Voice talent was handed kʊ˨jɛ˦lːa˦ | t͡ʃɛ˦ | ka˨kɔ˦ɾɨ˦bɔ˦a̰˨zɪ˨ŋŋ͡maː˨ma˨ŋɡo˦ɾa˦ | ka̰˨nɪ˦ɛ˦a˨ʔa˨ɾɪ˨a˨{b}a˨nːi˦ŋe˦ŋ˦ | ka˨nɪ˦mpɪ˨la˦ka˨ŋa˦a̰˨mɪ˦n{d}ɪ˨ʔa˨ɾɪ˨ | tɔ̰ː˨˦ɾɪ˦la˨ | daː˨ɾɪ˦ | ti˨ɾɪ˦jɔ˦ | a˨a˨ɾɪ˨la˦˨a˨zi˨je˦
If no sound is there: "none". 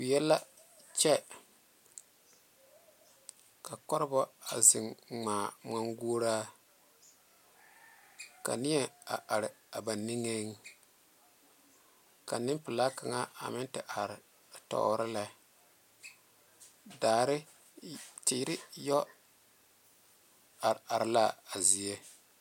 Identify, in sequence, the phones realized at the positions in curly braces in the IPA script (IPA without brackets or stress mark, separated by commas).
b, t